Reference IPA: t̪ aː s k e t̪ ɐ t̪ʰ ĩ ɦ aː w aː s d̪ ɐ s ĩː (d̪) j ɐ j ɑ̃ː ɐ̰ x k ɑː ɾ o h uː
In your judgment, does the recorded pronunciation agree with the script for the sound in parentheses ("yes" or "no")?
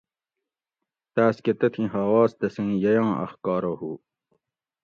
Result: no